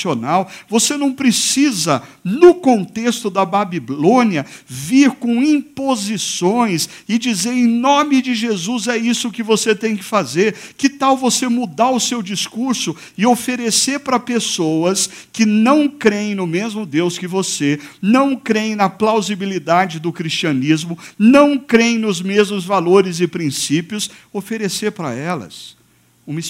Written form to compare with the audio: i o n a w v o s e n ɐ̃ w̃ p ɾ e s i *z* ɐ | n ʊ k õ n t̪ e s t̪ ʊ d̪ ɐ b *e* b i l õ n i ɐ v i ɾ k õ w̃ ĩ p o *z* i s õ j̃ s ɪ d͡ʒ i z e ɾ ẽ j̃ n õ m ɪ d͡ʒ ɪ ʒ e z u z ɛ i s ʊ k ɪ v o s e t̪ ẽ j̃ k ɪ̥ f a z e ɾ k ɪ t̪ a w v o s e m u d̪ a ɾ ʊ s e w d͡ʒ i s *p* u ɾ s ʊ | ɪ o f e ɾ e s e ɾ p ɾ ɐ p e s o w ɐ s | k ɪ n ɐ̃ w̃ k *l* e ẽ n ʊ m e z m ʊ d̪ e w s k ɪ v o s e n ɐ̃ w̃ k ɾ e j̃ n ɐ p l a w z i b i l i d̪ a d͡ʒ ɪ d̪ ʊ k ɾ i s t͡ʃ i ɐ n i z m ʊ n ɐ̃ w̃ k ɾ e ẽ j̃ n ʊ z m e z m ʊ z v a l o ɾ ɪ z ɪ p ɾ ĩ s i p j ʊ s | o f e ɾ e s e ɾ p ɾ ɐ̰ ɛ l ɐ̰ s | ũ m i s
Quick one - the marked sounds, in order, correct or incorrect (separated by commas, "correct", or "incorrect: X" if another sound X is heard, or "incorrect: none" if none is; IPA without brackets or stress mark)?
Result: correct, incorrect: a, correct, incorrect: k, incorrect: ɾ